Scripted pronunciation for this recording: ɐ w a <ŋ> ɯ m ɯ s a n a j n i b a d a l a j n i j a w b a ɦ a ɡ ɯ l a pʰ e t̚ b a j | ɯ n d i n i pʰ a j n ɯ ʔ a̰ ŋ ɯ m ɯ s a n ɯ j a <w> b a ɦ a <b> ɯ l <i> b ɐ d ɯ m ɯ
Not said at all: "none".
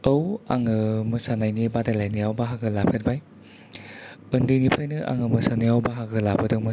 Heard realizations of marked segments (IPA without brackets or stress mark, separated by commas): ŋ, w, ɡ, a